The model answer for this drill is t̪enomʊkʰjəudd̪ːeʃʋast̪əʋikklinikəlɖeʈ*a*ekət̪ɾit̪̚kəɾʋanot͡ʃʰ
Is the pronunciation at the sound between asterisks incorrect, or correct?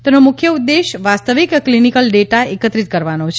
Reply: correct